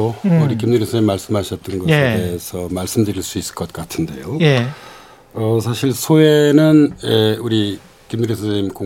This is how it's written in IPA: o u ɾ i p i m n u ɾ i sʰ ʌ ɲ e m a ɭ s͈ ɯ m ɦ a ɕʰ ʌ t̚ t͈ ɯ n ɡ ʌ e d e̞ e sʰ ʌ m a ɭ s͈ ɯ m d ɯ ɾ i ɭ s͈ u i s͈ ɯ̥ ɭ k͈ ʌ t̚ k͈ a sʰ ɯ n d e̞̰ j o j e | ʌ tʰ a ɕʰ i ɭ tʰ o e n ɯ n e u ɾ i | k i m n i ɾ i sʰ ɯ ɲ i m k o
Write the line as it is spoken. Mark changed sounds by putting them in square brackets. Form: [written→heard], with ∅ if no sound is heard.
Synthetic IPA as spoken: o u ɾ i [p→k] i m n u ɾ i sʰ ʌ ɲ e m a ɭ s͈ ɯ m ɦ a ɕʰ ʌ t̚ t͈ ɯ n ɡ ʌ e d e̞ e sʰ ʌ m a ɭ s͈ ɯ m d ɯ ɾ i ɭ s͈ u i s͈ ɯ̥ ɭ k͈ ʌ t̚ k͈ a [sʰ→tʰ] ɯ n d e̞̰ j o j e | ʌ [tʰ→sʰ] a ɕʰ i ɭ [tʰ→sʰ] o e n ɯ n e u ɾ i | k i m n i ɾ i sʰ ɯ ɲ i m k o